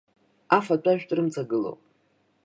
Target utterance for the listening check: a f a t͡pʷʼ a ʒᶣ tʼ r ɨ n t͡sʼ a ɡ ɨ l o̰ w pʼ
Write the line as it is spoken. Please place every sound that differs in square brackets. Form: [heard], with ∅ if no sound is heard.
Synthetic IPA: a f a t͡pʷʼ a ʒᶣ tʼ r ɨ [m] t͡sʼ a ɡ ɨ l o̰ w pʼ